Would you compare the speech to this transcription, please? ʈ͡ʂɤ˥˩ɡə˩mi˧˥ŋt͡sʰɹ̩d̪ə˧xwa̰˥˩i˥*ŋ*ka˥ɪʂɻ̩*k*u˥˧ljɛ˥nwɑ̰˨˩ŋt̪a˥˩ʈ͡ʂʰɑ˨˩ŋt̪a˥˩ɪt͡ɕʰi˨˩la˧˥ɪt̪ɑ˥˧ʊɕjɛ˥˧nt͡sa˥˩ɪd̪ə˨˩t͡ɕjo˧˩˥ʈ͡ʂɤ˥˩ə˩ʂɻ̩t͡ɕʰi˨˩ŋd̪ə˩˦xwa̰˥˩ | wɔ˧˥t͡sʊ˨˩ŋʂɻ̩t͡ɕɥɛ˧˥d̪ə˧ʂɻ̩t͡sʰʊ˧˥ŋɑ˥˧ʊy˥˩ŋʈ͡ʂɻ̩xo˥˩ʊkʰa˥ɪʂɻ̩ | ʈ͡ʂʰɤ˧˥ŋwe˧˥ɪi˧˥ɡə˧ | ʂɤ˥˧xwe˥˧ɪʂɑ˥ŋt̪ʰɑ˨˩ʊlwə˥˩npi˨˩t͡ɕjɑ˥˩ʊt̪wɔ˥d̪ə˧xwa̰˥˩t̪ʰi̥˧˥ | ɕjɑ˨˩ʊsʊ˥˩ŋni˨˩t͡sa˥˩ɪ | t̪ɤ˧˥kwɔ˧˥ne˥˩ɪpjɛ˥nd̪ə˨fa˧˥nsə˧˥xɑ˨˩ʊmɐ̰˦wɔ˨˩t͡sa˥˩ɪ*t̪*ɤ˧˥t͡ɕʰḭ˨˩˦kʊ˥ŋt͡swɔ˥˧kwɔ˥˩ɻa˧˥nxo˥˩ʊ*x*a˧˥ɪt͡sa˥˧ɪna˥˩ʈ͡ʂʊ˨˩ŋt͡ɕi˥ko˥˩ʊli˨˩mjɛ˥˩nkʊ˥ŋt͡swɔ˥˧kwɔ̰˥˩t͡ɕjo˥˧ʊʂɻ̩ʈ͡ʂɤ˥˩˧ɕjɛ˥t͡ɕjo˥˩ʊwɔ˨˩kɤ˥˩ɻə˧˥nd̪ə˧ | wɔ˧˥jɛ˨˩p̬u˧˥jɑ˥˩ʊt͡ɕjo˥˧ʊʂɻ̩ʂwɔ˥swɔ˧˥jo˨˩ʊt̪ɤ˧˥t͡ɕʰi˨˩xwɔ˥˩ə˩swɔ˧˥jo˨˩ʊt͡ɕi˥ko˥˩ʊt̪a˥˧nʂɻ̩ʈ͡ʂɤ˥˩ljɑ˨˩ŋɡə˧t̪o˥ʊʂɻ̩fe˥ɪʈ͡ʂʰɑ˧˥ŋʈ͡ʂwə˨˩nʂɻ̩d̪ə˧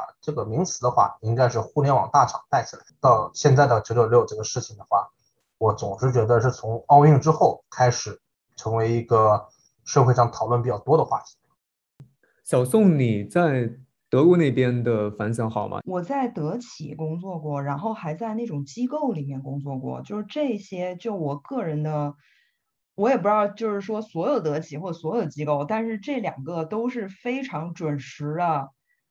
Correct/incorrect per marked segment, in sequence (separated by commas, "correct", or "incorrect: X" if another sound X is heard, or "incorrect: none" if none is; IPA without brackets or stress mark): correct, incorrect: x, correct, correct